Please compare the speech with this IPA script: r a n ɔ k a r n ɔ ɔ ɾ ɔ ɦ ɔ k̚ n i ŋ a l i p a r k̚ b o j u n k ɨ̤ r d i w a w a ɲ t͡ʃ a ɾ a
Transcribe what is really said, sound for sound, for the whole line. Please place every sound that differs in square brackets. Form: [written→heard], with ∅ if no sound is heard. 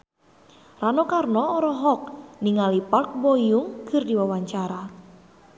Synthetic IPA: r a n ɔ k a r n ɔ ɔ ɾ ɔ ɦ ɔ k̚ n i ŋ a l i p a r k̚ b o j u [n→ŋ] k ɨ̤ r d i w a w a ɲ t͡ʃ a ɾ a